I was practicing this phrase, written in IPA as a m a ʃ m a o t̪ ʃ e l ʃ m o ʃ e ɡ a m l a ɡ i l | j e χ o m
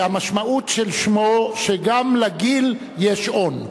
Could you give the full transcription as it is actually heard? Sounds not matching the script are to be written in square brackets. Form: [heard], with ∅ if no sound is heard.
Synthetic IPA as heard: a m a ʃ m a [u] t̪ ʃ e l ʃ m o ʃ e ɡ a m l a ɡ i l | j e [ʃ] o [n]